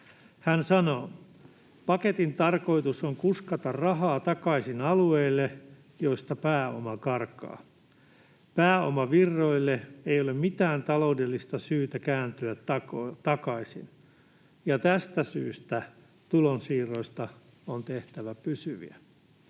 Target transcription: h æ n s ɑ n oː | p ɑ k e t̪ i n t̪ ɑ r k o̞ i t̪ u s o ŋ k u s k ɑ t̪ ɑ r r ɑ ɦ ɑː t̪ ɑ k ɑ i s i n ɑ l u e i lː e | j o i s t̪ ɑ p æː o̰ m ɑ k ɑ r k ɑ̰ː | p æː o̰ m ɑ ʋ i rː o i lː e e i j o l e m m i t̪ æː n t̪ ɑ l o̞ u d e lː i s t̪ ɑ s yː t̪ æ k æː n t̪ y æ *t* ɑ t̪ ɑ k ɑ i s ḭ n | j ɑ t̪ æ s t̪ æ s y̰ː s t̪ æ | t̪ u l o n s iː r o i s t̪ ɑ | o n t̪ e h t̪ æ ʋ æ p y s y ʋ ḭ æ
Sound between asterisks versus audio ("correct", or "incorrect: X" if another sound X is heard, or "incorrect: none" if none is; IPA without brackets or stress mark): correct